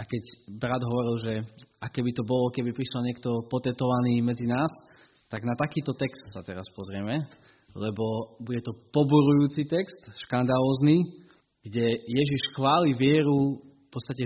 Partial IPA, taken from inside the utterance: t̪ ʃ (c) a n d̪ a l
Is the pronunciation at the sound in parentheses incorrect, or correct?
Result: incorrect